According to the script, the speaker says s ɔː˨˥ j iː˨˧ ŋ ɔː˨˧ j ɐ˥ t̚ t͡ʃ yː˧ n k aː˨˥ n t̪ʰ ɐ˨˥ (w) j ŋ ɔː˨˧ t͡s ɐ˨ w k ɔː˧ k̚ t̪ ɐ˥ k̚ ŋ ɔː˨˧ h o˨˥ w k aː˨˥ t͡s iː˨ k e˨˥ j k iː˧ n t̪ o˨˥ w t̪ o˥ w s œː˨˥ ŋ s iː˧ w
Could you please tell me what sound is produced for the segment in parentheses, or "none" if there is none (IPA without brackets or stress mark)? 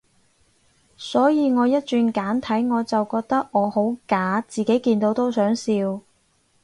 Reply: none